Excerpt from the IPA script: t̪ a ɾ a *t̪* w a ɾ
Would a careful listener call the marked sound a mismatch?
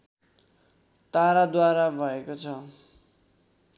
yes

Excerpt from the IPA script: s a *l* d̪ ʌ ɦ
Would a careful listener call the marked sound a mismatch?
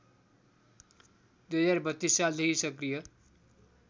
no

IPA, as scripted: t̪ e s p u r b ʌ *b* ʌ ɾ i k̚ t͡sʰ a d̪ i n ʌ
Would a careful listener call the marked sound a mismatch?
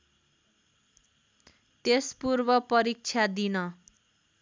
yes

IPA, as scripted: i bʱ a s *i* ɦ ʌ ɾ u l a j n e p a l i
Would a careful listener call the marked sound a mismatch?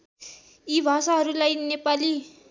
yes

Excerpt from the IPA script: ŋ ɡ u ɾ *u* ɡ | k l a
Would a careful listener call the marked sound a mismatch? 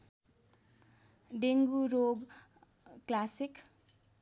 yes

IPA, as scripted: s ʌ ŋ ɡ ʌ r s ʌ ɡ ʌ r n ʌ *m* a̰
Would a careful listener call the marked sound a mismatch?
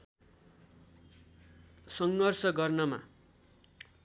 no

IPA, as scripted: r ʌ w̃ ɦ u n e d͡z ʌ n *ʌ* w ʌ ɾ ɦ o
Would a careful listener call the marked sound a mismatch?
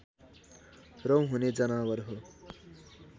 yes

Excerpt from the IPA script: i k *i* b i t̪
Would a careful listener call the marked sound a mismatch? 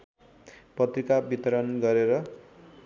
yes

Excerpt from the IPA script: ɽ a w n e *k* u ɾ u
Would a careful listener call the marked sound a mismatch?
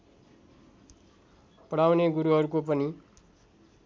yes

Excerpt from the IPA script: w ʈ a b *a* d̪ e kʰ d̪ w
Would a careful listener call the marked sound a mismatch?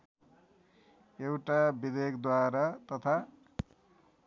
yes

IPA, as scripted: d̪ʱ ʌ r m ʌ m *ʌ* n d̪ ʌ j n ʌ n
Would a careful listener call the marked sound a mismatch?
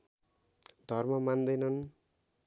yes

